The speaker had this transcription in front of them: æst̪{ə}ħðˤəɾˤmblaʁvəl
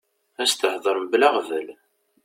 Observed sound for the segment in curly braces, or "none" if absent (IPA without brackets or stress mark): ə